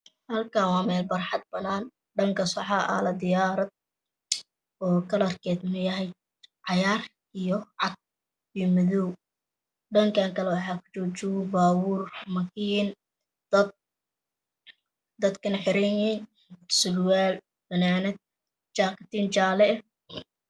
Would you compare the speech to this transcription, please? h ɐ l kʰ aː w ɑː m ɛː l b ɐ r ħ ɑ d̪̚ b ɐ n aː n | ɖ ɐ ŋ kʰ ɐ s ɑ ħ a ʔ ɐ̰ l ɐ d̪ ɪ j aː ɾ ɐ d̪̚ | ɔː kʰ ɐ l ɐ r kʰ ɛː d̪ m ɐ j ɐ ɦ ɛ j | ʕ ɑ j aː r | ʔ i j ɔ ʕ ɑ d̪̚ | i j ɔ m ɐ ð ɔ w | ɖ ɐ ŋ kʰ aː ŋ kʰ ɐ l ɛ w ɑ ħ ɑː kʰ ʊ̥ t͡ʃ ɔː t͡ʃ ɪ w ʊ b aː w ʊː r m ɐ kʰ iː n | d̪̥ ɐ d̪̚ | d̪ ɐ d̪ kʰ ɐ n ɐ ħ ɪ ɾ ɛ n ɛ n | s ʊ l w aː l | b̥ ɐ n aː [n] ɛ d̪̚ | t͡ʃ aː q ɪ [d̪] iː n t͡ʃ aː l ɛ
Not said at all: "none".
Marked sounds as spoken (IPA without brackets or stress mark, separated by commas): n, t̪